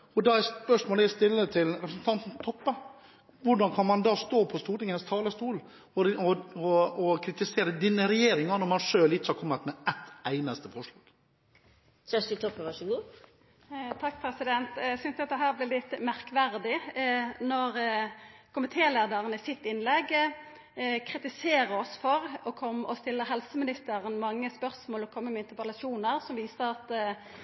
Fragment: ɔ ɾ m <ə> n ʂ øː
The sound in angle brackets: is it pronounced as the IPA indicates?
no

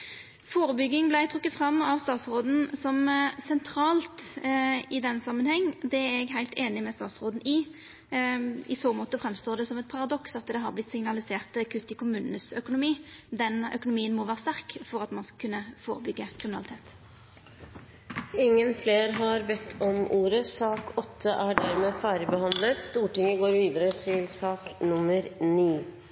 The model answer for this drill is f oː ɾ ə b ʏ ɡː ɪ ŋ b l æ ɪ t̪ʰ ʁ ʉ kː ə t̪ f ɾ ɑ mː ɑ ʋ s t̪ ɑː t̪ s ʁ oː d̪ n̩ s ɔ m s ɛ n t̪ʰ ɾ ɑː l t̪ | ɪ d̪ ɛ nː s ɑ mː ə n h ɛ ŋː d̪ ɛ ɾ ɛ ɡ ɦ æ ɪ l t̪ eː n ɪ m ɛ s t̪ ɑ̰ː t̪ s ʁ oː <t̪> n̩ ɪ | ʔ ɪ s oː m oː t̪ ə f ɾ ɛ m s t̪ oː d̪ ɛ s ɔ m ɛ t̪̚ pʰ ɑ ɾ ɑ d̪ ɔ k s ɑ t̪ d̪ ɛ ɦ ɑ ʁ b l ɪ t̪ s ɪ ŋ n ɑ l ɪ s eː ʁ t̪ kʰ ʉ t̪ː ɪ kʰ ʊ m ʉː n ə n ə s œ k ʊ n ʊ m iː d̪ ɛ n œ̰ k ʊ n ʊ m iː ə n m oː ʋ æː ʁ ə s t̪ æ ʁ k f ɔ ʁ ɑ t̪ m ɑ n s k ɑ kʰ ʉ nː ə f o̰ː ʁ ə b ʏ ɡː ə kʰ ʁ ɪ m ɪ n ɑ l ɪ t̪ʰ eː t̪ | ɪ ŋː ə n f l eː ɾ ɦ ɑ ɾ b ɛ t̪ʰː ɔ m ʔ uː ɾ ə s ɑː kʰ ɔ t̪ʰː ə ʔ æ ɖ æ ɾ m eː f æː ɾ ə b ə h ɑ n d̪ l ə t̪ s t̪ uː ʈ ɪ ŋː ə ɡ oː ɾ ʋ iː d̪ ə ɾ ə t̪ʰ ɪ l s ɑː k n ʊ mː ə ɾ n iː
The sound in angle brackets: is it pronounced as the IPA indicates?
no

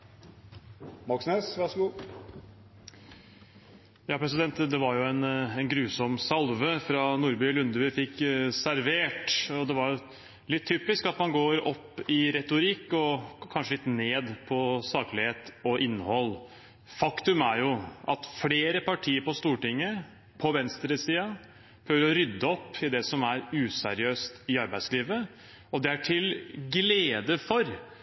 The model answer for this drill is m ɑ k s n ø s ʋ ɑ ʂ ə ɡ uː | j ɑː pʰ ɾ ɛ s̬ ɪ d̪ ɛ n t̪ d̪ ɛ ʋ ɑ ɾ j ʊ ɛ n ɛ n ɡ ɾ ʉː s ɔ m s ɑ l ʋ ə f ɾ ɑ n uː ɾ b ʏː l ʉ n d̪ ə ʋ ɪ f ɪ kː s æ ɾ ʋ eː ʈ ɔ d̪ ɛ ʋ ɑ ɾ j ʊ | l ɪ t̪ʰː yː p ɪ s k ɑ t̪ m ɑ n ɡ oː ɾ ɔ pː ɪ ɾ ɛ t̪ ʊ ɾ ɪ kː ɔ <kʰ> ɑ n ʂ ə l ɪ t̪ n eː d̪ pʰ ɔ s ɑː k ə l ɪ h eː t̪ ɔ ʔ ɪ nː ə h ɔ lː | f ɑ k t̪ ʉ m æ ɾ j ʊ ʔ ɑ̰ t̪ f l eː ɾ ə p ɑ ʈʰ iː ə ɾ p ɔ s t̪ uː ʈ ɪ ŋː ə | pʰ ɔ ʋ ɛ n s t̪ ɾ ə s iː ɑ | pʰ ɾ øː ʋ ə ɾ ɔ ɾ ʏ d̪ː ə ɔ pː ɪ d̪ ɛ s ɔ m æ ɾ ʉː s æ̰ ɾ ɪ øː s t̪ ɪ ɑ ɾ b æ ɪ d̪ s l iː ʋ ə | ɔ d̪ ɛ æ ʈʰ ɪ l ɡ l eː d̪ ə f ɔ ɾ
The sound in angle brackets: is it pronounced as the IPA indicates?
yes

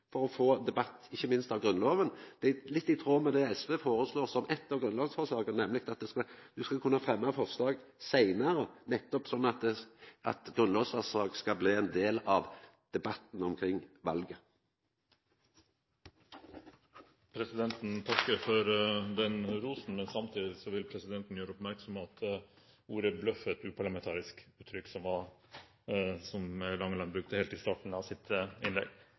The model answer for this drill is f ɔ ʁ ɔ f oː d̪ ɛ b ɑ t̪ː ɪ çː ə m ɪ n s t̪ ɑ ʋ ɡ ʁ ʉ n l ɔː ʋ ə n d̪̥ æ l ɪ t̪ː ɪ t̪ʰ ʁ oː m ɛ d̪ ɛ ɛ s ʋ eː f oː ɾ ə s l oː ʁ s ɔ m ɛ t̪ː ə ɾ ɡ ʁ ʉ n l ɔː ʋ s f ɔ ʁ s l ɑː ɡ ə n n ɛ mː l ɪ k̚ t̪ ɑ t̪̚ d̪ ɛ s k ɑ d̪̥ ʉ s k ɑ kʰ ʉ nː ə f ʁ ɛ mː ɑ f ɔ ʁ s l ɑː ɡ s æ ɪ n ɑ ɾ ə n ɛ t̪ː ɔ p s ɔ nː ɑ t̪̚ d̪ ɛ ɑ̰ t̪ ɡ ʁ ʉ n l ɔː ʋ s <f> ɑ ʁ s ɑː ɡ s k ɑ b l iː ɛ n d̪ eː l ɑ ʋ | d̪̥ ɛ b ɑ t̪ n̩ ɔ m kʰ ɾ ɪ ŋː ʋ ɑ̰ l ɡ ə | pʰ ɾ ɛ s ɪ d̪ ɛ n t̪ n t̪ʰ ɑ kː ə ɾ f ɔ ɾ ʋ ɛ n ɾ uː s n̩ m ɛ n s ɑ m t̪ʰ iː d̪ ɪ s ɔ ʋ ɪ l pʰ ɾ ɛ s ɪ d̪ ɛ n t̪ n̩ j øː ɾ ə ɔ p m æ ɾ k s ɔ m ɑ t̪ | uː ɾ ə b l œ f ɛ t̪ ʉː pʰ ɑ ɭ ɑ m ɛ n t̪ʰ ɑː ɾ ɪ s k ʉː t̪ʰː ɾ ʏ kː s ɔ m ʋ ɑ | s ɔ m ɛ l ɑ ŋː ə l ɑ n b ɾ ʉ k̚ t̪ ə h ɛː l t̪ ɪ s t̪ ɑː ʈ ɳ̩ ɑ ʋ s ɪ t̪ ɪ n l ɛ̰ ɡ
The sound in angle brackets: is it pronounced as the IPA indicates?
yes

